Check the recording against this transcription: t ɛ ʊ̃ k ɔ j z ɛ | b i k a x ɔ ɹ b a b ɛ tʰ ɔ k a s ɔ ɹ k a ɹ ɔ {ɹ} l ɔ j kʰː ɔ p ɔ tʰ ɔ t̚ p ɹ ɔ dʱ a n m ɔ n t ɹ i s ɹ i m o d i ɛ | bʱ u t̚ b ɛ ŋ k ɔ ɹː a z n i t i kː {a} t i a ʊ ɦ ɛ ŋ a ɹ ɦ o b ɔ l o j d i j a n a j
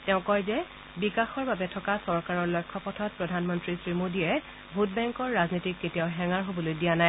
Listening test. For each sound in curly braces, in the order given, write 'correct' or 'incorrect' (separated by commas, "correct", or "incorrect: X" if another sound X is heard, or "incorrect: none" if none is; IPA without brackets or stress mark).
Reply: correct, incorrect: e